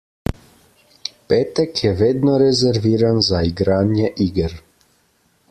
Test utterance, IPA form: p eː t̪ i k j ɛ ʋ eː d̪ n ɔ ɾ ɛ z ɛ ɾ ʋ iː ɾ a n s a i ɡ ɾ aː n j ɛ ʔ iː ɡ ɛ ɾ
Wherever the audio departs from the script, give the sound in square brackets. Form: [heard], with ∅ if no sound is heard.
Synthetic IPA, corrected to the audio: p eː t̪ [ɛ] k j ɛ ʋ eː d̪ n ɔ ɾ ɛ z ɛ ɾ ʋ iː ɾ a n [z] a i ɡ ɾ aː n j ɛ ʔ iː ɡ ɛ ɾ

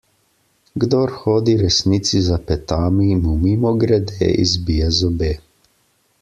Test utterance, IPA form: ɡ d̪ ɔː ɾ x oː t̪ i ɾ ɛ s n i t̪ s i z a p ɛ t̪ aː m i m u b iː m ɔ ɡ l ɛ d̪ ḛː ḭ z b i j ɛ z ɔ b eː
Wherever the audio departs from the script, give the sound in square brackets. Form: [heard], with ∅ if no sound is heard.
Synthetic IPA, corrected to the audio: ɡ d̪ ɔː ɾ x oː [d̪] i ɾ ɛ s n i t̪ s i z a p ɛ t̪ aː m i m u [m] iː m ɔ ɡ [ɾ] ɛ d̪ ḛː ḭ z b i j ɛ z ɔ b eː

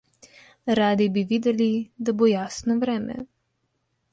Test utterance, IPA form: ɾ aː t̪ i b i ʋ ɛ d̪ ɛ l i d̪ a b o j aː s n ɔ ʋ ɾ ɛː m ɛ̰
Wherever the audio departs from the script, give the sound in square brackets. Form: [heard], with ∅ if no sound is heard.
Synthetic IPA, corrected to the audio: ɾ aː [d̪] i b i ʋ [i] d̪ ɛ l i d̪ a b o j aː s n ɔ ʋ ɾ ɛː m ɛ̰

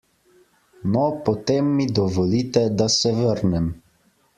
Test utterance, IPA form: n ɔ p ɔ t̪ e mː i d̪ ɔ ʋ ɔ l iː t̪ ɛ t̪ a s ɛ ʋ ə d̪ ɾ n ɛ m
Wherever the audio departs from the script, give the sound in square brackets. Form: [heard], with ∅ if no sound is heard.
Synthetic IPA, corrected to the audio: n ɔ p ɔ t̪ e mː i d̪ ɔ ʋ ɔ l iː t̪ ɛ [d̪] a s ɛ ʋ ə [∅] ɾ n ɛ m

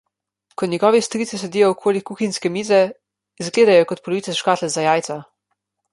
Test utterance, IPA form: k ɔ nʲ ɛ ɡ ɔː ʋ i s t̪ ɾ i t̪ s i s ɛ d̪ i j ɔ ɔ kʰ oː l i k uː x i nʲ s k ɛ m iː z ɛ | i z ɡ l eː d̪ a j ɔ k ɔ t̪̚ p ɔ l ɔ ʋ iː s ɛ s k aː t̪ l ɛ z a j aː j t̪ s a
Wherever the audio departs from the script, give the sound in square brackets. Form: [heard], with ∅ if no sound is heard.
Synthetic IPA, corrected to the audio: k ɔ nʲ ɛ ɡ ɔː ʋ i s t̪ ɾ i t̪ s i s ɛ d̪ i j ɔ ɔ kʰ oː l i k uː x i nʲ s k ɛ m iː z ɛ | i z ɡ l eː d̪ a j ɔ k ɔ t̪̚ p ɔ l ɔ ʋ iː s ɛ [ʃ] k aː t̪ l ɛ z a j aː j t̪ s a

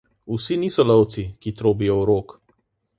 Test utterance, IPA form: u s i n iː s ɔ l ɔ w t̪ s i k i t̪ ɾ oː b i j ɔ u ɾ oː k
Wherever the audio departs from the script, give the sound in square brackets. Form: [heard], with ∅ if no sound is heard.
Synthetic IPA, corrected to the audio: u s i n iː s ɔ l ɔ w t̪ s i k i t̪ ɾ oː b i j ɔ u ɾ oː k

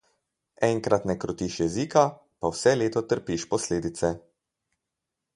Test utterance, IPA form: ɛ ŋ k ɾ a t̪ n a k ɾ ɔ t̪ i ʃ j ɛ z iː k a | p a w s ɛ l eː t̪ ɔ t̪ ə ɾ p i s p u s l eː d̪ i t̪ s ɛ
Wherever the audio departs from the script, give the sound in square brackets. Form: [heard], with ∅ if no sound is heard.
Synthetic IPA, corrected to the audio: ɛ ŋ k ɾ a t̪ n [ɛ] k ɾ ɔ t̪ i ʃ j ɛ z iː k a | p a w s ɛ l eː t̪ ɔ t̪ ə ɾ p i [ʃ] p [ɔ] s l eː d̪ i t̪ s ɛ

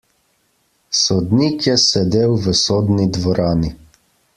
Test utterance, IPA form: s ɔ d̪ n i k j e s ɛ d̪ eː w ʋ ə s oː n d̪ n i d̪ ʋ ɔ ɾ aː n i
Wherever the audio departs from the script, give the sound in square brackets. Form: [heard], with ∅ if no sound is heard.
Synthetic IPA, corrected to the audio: s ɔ d̪ n i k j [ɛ] s ɛ d̪ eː w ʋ ə s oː [∅] d̪ n i d̪ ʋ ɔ ɾ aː n i

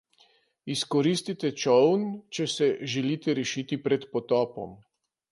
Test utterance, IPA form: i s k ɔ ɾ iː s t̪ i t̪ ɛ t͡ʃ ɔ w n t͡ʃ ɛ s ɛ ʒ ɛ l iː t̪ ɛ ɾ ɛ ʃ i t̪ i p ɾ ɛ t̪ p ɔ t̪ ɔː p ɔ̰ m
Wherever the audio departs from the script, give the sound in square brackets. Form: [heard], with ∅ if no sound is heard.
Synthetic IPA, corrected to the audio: i s k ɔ ɾ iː s t̪ i t̪ ɛ t͡ʃ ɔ w n t͡ʃ ɛ s ɛ ʒ ɛ l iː t̪ ɛ ɾ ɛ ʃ i t̪ i p ɾ ɛ t̪ p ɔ t̪ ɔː p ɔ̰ m

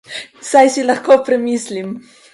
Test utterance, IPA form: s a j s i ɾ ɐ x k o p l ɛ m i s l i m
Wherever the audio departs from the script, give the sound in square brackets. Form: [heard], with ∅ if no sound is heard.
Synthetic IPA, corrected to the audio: s a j s i [l] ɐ x k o p [ɾ] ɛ m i s l i m

